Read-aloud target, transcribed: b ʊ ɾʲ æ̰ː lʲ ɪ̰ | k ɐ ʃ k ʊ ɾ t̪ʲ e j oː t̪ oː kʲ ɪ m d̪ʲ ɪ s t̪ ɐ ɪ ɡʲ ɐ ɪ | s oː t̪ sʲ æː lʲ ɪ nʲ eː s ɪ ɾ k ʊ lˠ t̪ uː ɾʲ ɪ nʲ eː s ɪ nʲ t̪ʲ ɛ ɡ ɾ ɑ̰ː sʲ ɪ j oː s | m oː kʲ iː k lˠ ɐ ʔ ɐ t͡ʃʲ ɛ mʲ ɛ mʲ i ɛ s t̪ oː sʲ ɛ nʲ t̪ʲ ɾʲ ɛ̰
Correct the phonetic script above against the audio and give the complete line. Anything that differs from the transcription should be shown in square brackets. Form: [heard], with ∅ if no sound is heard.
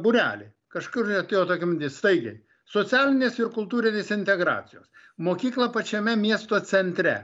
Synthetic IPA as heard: b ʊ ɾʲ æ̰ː lʲ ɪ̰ | k ɐ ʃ k ʊ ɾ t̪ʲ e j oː t̪ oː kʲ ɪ m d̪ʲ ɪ s t̪ ɐ ɪ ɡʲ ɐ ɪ | s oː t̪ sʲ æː lʲ ɪ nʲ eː s ɪ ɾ k ʊ lˠ t̪ uː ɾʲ ɪ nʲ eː s ɪ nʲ t̪ʲ ɛ ɡ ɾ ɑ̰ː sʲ ɪ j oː s | m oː kʲ iː k lˠ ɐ [p] ɐ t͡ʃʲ ɛ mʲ ɛ mʲ i ɛ s t̪ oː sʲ ɛ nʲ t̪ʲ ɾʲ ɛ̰